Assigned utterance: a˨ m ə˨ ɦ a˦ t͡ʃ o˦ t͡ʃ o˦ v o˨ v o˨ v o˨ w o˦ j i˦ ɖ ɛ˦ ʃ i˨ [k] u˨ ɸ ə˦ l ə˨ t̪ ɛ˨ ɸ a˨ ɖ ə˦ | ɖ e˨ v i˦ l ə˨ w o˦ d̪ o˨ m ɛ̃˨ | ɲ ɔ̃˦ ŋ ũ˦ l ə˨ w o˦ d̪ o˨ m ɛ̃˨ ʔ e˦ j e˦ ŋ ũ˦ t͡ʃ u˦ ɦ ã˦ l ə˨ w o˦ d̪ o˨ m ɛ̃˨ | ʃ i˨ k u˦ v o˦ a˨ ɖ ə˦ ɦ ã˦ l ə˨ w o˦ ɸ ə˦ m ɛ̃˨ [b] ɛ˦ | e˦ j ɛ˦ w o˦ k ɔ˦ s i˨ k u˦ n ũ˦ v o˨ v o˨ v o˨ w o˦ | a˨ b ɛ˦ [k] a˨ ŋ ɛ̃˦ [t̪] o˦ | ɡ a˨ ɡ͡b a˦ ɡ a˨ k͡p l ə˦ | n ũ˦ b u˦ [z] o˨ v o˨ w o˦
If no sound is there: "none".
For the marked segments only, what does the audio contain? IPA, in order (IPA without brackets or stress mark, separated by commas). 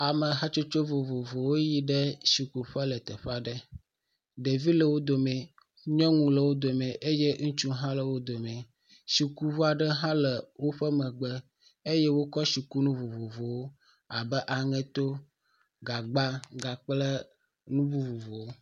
k, ɡ͡b, ʔ, t̪, v